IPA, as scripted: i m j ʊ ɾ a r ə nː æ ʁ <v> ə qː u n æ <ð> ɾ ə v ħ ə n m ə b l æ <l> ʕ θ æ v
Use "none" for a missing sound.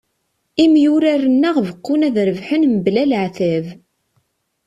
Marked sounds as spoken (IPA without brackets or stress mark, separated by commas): v, ð, l